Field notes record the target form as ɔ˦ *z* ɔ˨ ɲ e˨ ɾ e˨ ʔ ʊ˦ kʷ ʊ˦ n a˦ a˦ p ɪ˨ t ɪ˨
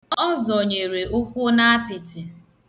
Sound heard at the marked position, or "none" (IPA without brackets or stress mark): z